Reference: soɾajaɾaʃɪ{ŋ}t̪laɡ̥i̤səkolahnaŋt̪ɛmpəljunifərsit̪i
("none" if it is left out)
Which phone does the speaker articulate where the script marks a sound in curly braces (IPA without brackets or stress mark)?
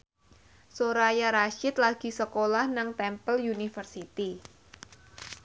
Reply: none